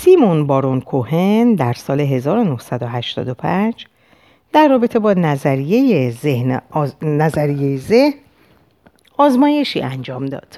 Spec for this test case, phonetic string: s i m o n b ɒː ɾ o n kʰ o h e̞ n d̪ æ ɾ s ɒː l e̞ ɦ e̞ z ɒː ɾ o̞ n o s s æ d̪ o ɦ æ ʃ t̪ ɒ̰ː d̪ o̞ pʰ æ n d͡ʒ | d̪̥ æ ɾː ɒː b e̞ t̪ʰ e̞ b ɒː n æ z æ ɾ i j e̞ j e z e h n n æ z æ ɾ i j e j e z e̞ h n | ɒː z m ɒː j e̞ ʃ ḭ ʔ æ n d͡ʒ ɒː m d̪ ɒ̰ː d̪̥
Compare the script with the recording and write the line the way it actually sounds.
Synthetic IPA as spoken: s i m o n b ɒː ɾ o n kʰ o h e̞ n d̪ æ ɾ s ɒː l e̞ ɦ e̞ z ɒː ɾ o̞ n o h s æ d̪ o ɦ æ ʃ t̪ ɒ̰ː d̪ o̞ pʰ æ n d͡ʒ | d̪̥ æ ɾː ɒː b e̞ t̪ʰ e̞ b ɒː n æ z æ ɾ i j e̞ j e z e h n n æ z æ ɾ i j e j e z e̞ h n | ɒː z m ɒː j e̞ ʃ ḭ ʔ æ n d͡ʒ ɒː m d̪ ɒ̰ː d̪̥